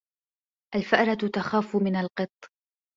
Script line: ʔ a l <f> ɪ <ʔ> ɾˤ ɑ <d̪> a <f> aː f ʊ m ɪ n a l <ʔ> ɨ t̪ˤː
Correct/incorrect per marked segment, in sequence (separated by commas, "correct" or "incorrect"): correct, correct, incorrect, incorrect, incorrect